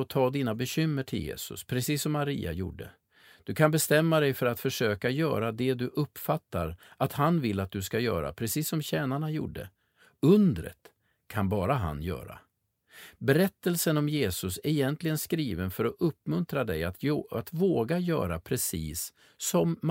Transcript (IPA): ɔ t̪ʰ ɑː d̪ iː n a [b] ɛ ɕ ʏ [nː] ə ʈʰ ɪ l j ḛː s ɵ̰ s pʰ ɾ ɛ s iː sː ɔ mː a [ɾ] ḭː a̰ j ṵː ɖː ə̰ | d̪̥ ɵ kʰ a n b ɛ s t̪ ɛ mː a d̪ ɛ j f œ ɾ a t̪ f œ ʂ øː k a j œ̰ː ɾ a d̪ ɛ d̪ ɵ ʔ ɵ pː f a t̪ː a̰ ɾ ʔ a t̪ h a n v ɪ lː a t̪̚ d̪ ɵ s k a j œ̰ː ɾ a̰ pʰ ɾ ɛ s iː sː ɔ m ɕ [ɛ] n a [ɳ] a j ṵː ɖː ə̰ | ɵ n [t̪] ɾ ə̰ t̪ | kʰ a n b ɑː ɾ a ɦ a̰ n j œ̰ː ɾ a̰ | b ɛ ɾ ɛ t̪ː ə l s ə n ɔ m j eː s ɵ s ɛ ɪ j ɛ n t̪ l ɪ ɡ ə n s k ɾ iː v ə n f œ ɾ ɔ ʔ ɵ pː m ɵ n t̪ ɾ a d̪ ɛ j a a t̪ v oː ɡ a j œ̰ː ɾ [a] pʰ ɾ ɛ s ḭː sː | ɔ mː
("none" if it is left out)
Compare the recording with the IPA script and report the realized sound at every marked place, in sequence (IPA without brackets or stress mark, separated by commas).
b, mː, ɾ, ɛː, ɳ, d̪, a